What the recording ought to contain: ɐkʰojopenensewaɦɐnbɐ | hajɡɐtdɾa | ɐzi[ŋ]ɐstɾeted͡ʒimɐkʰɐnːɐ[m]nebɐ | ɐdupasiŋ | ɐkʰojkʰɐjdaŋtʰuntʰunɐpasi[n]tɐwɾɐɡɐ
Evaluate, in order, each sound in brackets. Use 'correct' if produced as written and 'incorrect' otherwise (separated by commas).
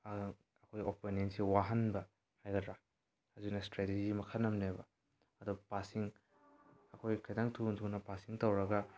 incorrect, correct, incorrect